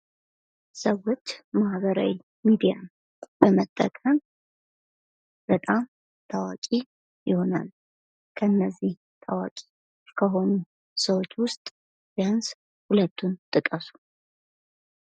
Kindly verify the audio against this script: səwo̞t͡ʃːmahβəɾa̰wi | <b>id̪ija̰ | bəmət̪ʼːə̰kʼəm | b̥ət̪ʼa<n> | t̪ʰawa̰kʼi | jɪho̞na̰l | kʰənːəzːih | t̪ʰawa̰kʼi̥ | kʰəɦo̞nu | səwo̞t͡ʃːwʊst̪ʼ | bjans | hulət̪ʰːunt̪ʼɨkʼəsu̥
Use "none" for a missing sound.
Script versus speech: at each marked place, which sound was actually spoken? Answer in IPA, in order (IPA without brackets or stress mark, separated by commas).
m, m